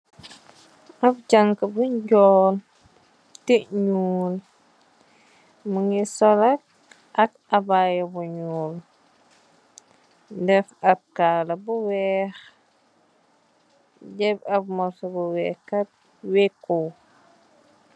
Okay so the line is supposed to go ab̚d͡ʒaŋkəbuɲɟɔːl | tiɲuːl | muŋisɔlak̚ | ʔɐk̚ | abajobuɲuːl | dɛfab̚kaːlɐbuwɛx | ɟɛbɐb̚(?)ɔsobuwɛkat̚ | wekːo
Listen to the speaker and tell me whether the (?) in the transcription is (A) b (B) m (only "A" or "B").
B